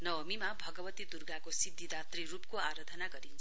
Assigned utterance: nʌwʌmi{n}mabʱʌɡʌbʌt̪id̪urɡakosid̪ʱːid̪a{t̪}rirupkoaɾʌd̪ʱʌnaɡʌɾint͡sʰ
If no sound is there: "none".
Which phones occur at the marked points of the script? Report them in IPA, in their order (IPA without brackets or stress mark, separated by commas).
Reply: none, t̪